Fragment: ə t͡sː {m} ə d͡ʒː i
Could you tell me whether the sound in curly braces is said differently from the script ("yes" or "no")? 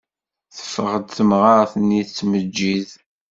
no